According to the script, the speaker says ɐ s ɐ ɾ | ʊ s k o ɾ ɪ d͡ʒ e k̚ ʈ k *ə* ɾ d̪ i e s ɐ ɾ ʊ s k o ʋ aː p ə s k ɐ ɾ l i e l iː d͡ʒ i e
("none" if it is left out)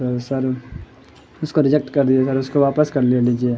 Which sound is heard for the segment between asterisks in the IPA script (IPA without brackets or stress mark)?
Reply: ɐ